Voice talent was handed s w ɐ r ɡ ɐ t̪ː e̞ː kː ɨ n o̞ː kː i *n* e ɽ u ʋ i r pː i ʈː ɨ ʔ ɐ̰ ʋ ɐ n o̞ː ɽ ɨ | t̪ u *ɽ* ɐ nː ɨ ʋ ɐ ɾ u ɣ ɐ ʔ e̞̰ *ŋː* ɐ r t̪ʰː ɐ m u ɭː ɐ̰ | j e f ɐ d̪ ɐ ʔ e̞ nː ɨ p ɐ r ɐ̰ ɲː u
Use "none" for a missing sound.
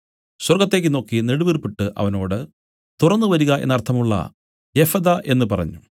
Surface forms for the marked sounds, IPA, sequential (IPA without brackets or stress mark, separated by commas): n, r, nː